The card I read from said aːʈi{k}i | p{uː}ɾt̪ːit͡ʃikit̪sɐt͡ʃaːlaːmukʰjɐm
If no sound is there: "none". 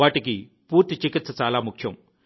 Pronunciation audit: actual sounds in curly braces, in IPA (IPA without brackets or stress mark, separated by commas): k, uː